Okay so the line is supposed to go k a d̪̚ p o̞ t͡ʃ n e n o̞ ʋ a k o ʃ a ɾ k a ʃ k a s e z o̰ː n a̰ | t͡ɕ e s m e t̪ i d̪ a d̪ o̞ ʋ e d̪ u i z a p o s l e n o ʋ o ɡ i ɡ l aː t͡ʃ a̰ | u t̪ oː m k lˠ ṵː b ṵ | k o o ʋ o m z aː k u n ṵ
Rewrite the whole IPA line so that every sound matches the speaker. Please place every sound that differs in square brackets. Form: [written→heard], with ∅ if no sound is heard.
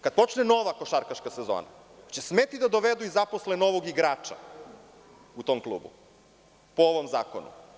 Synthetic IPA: k a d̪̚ p o̞ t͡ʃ n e n o̞ ʋ a k o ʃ a ɾ k a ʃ k a s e z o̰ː n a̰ | t͡ɕ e s m e t̪ i d̪ a d̪ o̞ ʋ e d̪ u i z a p o s l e n o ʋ o ɡ i ɡ [l→ɾ] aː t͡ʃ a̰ | u t̪ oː m k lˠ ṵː b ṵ | [k→p] o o ʋ o m z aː k [u→o] n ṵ